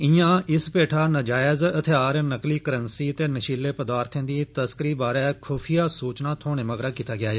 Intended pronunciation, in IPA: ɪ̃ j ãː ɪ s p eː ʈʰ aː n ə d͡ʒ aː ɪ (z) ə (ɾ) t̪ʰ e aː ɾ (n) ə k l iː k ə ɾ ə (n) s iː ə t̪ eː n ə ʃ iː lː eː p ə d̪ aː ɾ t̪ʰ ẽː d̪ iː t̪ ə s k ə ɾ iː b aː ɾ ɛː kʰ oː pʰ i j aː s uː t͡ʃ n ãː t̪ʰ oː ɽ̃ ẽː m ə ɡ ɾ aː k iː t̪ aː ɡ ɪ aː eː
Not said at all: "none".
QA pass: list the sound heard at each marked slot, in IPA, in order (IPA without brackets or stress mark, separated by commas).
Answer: z, none, n, n